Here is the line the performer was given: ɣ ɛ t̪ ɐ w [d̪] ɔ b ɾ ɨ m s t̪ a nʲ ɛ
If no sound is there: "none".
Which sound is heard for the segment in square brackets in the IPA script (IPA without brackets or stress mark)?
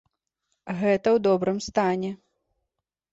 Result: d̪